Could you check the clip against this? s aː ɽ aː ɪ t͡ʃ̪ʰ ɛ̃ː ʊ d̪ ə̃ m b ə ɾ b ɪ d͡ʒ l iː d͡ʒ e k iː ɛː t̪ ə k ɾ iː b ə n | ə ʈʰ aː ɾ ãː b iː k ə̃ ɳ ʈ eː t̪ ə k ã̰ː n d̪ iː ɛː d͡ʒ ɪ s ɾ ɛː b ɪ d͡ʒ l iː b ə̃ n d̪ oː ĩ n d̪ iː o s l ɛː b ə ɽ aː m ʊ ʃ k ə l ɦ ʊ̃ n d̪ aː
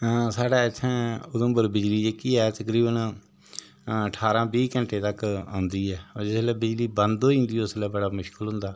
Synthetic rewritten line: s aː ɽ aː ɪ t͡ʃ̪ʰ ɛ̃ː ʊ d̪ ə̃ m b ə ɾ b ɪ d͡ʒ l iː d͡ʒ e k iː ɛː t̪ ə k ɾ iː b ə n | ə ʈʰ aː ɾ ãː b iː k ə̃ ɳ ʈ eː t̪ ə k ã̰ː n d̪ iː ɛː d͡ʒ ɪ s l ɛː b ɪ d͡ʒ l iː b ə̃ n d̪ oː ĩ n d̪ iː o s l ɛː b ə ɽ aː m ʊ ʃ k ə l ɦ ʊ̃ n d̪ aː

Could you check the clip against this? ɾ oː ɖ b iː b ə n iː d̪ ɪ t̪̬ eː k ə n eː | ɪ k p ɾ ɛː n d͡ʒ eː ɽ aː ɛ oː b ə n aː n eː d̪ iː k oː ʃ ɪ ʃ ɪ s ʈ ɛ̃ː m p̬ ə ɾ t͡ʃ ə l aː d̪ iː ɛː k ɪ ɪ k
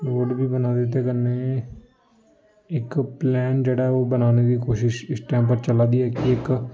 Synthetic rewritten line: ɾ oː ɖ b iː b ə n aː d̪ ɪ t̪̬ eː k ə n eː | ɪ k p l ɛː n d͡ʒ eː ɽ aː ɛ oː b ə n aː n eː d̪ iː k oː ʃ ɪ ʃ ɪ s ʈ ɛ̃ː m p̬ ə ɾ t͡ʃ ə l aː d̪ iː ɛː k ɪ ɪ k

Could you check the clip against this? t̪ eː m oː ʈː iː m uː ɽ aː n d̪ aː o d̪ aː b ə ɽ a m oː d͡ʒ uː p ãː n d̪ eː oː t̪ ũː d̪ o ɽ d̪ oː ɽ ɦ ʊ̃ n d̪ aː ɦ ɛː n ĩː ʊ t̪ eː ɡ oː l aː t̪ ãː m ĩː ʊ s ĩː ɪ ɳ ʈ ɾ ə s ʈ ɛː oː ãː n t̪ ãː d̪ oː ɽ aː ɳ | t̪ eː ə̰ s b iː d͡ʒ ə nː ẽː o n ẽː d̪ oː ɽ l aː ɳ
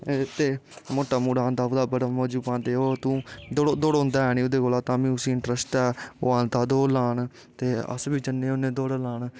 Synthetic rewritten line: t̪ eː m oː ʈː aː m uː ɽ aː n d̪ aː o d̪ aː b ə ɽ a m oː d͡ʒ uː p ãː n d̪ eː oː t̪ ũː d̪ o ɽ d̪ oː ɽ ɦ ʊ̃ n d̪ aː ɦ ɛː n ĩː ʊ d̪ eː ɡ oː l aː t̪ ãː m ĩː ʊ s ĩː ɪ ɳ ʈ ɾ ə s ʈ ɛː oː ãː n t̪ aː d̪ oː l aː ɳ | t̪ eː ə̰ s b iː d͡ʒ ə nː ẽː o n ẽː d̪ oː ɽ l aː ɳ

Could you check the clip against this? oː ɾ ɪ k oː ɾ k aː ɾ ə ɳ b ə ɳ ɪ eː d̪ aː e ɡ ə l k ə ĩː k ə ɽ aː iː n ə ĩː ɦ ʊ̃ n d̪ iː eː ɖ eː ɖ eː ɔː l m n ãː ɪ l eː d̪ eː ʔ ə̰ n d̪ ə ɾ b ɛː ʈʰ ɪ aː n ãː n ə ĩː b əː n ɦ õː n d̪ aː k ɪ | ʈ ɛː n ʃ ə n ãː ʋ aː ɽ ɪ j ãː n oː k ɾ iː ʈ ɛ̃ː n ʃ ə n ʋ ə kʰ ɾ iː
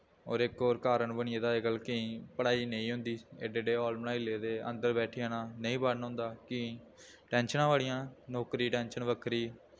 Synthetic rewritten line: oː ɾ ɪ k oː ɾ k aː ɾ ə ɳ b ə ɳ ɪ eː d̪ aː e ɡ ə l k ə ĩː p ə ɽ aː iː n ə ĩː ɦ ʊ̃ n d̪ iː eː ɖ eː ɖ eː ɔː l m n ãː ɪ l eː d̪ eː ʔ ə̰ n d̪ ə ɾ b ɛː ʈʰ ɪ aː n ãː n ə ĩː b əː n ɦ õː n d̪ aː k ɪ | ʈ ɛː n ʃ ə n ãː ʋ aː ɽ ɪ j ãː n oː k ɾ iː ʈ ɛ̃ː n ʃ ə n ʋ ə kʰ ɾ iː

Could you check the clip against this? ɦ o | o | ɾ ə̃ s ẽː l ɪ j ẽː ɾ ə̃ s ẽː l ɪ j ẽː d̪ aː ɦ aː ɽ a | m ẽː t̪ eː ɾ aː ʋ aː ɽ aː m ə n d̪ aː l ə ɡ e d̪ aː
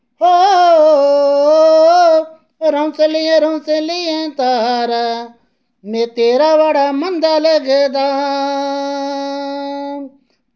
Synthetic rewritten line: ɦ o | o | ɾ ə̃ s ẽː l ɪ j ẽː ɾ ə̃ s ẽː l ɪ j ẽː t̪ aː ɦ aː ɾ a | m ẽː t̪ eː ɾ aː ʋ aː ɽ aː m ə n d̪ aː l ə ɡ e d̪ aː

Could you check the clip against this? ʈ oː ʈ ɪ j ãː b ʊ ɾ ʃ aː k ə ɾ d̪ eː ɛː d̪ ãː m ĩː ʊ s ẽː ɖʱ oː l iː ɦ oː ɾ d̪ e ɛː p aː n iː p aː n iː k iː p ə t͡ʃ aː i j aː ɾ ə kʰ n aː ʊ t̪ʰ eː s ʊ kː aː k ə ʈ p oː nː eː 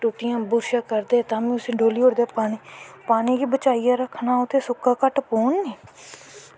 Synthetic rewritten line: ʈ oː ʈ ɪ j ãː b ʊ ɾ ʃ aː k ə ɾ d̪ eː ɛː t̪ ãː m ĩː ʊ s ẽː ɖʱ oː l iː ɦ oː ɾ d̪ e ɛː p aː n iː p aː n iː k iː b ə t͡ʃ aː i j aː ɾ ə kʰ n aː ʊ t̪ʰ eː s ʊ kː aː k ə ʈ p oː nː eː

